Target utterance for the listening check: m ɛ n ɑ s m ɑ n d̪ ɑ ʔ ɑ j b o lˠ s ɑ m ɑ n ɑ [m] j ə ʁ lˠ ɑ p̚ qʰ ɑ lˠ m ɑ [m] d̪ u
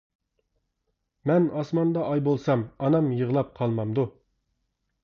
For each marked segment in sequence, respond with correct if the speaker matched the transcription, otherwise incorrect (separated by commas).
correct, correct